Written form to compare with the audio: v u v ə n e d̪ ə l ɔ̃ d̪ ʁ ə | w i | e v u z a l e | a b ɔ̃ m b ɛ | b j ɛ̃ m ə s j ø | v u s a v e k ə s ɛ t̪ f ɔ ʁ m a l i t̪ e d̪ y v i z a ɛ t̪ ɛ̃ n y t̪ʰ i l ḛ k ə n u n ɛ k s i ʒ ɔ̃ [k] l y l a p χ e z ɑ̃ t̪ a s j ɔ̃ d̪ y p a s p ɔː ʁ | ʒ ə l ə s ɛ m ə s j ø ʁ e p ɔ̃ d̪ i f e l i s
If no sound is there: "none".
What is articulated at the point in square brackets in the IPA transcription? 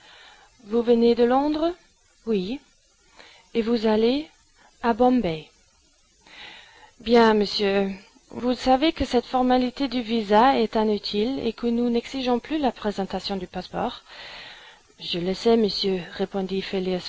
p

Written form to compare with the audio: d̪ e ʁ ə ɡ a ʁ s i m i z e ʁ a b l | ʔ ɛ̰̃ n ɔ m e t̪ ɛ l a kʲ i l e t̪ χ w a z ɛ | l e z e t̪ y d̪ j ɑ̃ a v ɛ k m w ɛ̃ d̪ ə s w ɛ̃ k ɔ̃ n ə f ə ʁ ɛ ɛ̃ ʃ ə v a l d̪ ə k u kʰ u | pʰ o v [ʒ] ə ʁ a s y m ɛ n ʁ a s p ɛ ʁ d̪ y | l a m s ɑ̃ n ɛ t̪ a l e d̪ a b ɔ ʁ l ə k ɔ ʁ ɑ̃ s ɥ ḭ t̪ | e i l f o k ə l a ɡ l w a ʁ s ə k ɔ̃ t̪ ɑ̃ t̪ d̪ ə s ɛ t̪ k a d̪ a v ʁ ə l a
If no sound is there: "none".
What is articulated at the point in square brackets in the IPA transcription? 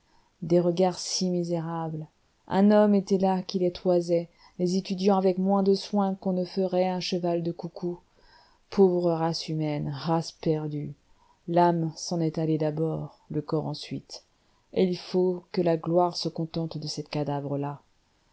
ʁ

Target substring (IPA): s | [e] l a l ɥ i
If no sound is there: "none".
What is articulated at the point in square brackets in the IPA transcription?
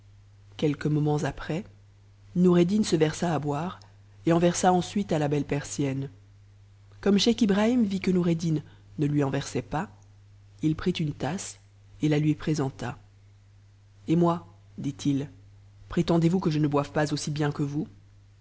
e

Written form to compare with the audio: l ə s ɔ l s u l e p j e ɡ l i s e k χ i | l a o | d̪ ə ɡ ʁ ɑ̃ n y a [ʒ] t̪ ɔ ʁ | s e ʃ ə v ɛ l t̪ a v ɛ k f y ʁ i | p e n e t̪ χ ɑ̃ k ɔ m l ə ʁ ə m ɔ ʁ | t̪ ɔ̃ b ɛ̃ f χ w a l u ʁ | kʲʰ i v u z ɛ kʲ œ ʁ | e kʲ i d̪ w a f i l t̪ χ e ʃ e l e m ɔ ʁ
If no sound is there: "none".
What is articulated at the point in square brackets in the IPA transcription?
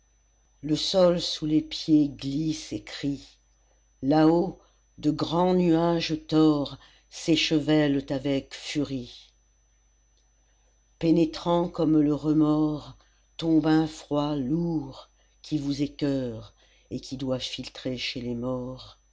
ʒ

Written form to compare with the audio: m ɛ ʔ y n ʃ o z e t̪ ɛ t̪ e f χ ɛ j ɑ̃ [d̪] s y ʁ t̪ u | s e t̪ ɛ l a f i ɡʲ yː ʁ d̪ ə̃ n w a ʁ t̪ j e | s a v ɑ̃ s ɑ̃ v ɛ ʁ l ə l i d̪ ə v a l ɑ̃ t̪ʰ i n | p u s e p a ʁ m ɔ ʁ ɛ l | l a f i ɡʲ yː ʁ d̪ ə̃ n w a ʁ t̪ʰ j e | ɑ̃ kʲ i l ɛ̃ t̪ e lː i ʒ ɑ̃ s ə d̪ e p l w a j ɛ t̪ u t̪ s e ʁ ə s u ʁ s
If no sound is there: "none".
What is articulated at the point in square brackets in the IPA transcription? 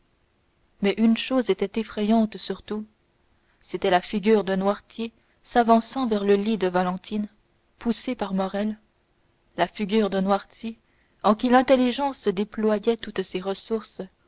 t̪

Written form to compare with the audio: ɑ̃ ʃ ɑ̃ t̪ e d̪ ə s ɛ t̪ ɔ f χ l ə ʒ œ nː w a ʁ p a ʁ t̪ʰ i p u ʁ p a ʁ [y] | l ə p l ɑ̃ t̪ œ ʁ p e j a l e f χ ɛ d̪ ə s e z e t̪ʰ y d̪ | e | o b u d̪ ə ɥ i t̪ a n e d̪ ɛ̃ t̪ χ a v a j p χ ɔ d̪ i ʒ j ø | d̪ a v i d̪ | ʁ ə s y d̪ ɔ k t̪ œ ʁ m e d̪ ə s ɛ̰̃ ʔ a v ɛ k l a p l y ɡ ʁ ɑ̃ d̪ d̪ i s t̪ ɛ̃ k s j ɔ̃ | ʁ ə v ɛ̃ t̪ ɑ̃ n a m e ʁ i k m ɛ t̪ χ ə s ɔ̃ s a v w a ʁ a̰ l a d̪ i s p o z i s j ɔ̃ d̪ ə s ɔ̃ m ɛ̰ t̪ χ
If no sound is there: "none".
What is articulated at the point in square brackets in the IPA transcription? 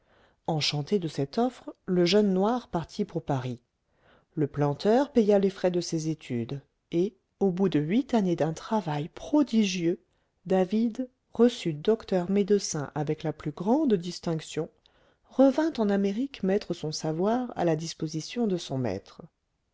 i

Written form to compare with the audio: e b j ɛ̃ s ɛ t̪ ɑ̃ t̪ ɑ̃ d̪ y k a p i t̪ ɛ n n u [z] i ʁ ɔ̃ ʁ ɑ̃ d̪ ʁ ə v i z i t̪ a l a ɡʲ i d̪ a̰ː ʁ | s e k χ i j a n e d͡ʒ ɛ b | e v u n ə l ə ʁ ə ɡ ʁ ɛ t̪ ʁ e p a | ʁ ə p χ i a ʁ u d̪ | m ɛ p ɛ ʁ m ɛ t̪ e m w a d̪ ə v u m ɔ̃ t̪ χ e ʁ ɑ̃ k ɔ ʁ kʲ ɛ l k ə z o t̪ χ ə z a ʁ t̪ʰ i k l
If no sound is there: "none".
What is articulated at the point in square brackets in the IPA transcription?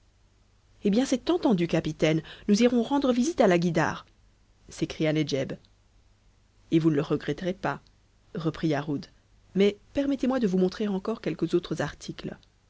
z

